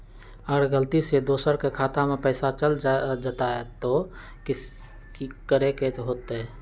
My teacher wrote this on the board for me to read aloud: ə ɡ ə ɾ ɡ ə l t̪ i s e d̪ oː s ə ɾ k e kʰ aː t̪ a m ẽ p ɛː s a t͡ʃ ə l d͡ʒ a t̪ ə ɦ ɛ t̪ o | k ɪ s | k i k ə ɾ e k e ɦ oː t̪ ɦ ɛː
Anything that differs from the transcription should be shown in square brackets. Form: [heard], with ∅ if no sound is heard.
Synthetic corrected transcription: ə ɡ ə ɾ ɡ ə l t̪ i s e d̪ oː s ə ɾ k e kʰ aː t̪ a m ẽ p ɛː s a t͡ʃ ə l d͡ʒ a t̪ [a] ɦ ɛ t̪ o | k ɪ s | k i k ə ɾ e k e ɦ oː t̪ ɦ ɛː